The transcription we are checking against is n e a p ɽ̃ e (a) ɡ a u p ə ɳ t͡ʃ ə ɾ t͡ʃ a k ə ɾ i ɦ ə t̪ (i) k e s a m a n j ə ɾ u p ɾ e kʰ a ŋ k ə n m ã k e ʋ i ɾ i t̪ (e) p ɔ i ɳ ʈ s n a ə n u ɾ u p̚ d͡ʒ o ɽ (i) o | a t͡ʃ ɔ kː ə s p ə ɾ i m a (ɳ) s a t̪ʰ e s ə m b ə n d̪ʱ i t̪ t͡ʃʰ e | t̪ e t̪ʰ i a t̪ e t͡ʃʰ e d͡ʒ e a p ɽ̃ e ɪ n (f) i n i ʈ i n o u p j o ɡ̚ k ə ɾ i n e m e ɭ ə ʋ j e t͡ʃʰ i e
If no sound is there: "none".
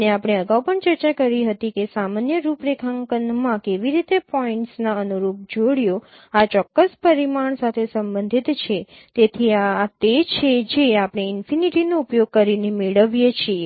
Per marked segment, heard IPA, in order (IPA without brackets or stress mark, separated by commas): ə, i, e, j, ɳ, f